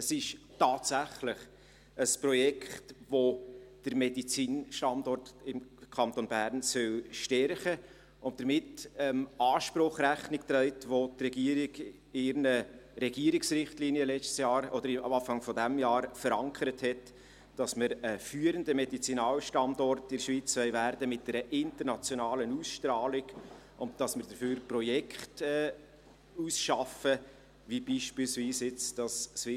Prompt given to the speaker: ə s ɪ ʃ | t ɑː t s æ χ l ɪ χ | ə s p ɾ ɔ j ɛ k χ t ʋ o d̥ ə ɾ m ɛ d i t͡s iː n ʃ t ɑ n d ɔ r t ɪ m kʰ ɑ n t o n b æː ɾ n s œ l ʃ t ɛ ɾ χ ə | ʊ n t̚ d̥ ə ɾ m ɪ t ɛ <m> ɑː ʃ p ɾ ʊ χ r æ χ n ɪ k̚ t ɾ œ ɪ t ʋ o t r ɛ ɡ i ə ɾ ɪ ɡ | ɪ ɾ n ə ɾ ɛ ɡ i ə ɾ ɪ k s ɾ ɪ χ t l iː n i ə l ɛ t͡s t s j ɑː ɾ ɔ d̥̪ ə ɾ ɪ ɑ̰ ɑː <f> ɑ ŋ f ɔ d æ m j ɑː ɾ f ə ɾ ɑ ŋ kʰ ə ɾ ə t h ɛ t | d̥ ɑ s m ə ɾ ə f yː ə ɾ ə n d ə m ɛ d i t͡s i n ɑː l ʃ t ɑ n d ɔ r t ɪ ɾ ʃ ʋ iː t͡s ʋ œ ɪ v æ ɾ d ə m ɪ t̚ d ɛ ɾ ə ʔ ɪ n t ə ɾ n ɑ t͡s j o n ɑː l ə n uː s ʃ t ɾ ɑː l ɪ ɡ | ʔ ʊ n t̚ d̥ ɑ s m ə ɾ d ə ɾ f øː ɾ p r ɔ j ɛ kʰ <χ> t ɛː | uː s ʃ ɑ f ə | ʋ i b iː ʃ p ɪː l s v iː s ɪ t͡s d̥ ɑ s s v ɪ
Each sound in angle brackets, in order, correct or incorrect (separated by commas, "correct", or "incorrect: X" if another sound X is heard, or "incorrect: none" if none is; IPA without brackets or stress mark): correct, correct, correct